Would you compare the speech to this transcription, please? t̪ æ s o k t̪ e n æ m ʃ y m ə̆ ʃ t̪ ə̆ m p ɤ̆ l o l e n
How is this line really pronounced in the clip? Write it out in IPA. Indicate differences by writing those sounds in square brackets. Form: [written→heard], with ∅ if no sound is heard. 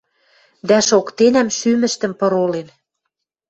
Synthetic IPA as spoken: [t̪→d̪] æ [s→ʃ] o k t̪ e n æ m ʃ y m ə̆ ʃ t̪ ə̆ m p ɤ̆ [l→ɾ] o l e n